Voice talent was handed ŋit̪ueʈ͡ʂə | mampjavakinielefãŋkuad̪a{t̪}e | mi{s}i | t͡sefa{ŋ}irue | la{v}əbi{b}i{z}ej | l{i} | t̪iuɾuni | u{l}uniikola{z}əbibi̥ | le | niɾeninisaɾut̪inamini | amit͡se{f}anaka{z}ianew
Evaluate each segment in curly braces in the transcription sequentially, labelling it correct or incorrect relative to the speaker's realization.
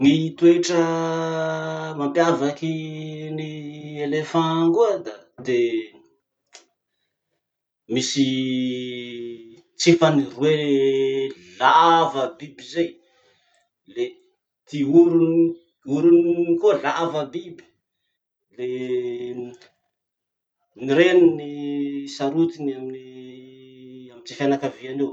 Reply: incorrect, correct, incorrect, correct, correct, correct, incorrect, incorrect, incorrect, correct, incorrect

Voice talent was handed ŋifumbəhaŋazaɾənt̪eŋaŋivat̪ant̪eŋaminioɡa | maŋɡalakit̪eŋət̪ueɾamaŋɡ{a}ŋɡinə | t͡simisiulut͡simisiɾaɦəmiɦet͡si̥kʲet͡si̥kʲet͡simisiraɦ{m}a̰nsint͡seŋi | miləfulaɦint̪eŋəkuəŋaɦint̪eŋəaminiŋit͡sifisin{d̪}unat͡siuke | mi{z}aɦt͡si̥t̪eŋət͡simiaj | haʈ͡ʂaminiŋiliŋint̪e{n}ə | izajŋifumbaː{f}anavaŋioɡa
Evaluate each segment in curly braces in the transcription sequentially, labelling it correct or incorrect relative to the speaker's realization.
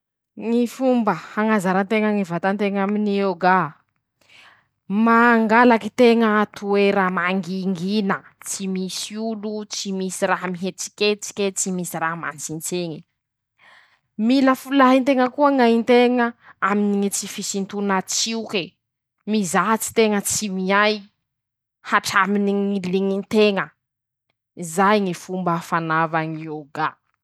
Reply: incorrect, correct, incorrect, correct, incorrect, correct

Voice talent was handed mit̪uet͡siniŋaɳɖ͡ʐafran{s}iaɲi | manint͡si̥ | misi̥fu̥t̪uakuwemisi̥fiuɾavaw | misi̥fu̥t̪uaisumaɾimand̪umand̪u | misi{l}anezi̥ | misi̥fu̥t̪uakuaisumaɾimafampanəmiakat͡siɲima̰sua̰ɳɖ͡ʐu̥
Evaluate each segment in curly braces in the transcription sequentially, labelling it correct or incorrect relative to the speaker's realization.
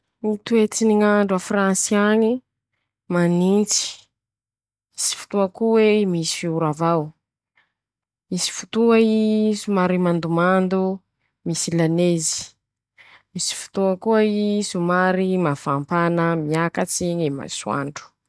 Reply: correct, correct

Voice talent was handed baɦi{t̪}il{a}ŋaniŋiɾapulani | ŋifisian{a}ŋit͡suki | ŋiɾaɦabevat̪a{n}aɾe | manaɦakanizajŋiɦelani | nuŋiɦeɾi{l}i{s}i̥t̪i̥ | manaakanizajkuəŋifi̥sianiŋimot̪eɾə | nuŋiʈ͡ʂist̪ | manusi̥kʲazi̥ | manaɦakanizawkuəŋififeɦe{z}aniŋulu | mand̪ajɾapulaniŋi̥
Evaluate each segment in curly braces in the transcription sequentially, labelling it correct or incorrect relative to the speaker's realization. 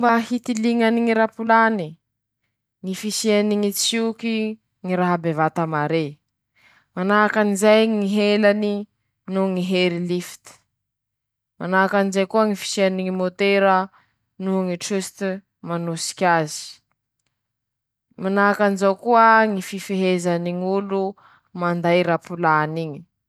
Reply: correct, incorrect, incorrect, incorrect, correct, incorrect, correct

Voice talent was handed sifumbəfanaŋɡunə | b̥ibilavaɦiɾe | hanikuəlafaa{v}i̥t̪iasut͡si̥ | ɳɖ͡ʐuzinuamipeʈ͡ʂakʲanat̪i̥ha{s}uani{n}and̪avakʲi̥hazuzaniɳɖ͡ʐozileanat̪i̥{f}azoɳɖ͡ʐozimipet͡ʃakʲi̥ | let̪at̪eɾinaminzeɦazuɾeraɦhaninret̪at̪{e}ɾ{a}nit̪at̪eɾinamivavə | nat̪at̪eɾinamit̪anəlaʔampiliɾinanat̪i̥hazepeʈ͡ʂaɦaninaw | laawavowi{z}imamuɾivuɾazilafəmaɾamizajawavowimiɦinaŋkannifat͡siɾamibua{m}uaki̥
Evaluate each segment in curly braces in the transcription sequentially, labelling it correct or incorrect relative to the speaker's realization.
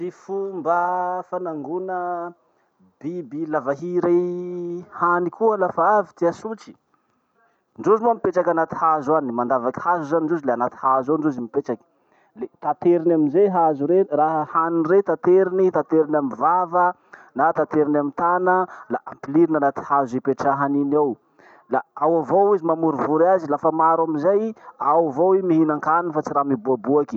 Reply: correct, incorrect, incorrect, incorrect, correct, incorrect, correct, incorrect

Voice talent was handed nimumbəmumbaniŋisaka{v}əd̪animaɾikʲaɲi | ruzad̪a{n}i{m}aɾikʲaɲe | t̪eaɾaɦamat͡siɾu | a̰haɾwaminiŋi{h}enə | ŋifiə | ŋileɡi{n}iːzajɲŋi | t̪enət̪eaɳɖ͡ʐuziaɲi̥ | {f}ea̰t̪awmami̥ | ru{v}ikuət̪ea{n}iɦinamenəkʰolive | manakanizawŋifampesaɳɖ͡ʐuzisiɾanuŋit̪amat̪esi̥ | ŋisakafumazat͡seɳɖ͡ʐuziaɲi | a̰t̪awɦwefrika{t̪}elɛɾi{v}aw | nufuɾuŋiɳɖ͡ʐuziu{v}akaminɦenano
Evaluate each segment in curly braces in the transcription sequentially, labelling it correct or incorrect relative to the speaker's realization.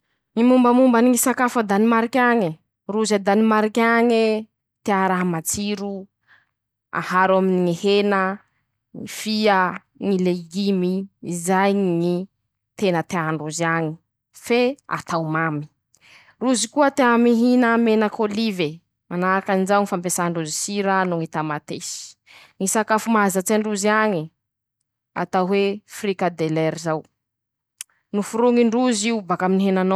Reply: incorrect, correct, correct, correct, incorrect, correct, incorrect, incorrect, incorrect, incorrect, incorrect

